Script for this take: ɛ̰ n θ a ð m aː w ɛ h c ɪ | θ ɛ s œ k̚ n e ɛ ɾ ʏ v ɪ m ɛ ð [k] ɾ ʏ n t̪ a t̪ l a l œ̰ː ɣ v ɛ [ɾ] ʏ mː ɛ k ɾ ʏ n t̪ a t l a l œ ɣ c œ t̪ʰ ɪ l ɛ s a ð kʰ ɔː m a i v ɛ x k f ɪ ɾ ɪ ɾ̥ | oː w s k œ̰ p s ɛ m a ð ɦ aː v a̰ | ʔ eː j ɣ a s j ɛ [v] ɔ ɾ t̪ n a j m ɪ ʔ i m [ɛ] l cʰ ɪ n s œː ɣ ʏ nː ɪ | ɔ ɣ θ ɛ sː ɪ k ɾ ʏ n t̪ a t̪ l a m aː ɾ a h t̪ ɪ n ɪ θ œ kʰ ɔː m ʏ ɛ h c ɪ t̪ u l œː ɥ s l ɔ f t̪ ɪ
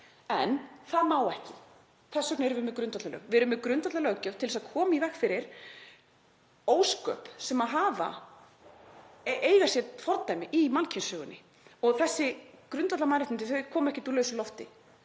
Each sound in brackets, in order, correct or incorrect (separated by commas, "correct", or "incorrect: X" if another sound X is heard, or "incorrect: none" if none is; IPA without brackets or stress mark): correct, correct, incorrect: f, incorrect: a